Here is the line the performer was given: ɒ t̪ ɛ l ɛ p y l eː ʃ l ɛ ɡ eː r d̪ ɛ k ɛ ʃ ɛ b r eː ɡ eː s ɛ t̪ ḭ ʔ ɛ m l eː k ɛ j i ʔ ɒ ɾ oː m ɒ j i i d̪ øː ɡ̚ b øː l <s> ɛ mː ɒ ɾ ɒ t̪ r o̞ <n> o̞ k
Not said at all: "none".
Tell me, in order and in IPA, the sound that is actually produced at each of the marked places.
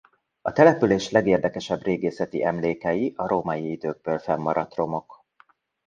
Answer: f, m

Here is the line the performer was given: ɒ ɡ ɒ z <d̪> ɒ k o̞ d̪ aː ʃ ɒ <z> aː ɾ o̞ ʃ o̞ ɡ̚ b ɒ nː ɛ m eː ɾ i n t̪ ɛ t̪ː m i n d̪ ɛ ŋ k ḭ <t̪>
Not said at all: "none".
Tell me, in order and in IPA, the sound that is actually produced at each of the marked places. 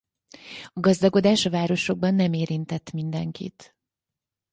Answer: d̪, v, t̪

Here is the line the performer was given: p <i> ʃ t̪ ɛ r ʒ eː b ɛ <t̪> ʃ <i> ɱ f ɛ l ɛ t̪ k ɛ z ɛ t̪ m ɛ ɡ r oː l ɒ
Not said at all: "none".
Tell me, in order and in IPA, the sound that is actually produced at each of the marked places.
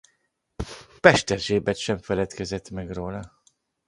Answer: ɛ, t̪, ɛ

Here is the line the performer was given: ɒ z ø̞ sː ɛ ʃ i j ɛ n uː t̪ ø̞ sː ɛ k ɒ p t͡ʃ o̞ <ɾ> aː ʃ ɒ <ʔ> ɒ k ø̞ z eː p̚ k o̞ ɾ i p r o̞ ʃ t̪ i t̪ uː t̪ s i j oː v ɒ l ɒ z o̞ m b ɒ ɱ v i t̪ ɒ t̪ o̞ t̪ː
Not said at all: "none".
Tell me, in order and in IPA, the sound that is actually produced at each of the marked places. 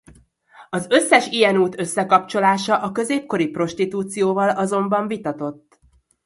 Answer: l, ʔ

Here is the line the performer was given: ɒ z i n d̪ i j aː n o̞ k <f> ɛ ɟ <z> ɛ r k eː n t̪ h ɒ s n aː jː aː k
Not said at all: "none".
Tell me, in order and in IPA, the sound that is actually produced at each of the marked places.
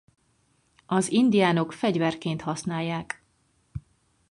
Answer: f, v

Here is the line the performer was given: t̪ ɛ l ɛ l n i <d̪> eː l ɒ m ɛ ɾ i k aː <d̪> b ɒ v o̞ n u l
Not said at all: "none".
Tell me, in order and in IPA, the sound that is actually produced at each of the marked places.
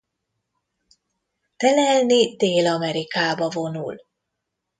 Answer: d̪, none

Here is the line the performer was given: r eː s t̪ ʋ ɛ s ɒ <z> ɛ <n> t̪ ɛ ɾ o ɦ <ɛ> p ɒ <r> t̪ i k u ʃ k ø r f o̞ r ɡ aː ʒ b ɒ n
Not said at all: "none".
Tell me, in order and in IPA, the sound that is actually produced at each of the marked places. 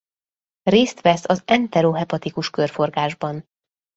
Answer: z, n, ɛ, none

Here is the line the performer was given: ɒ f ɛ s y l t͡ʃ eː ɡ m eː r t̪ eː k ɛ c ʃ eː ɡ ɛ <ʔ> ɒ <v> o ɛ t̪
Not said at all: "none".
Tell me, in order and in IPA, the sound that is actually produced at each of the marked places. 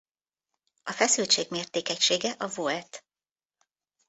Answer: ʔ, v

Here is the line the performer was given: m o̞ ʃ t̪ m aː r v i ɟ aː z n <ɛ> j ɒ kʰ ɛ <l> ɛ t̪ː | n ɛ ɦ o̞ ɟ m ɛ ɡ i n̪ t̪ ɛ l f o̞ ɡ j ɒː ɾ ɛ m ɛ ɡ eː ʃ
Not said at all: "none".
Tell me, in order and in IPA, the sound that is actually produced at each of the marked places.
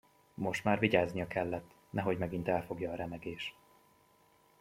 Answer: i, lː

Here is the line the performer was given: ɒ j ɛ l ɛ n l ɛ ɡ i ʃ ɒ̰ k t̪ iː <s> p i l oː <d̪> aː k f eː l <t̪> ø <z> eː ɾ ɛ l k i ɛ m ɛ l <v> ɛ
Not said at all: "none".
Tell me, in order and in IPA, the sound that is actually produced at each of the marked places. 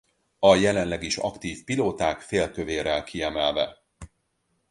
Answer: f, t̪, t̪, v, v

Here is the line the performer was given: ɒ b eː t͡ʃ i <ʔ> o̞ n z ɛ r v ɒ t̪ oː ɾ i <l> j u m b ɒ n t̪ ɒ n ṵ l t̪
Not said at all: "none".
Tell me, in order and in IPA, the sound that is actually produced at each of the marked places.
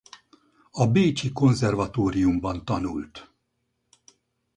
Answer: k, none

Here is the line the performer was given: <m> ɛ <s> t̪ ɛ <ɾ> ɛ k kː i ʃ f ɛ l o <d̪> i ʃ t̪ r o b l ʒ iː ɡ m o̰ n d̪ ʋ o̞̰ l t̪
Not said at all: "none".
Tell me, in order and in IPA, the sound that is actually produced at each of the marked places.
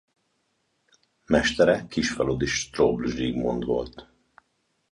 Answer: m, ʃ, ɾ, d̪

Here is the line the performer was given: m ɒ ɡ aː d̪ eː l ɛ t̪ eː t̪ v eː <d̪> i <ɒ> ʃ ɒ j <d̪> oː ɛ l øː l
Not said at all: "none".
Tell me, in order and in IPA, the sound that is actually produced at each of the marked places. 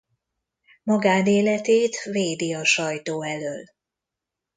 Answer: d̪, ɒ, t̪

